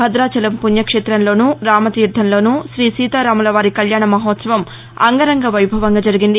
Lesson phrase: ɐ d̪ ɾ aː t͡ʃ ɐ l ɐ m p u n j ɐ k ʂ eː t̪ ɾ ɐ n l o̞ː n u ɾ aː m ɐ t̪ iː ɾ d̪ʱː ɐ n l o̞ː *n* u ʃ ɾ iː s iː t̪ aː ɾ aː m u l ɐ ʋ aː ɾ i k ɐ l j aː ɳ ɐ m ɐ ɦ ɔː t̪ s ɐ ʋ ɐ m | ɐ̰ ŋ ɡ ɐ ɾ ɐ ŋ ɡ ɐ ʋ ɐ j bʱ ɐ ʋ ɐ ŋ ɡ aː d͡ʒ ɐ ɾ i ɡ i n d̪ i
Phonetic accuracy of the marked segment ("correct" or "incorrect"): correct